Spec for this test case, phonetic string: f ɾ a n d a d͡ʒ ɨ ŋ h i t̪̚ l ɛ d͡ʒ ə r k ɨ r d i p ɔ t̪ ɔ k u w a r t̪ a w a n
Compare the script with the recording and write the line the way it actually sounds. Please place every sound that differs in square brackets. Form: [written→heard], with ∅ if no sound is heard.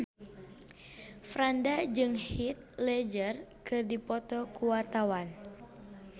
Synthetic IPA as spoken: f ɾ a n d a d͡ʒ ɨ ŋ h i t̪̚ l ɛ d͡ʒ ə r k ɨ r d i p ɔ t̪ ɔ k u w a r t̪ a w a n

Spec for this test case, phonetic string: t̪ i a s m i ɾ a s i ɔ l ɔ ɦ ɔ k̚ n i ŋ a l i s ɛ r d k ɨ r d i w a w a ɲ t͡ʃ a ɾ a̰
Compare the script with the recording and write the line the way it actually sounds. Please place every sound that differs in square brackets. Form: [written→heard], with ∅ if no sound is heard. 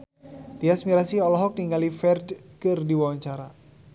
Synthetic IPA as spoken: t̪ i a s m i ɾ a s i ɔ l ɔ ɦ ɔ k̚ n i ŋ a l i [s→f] ɛ r d k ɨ r d i w a w a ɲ t͡ʃ a ɾ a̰

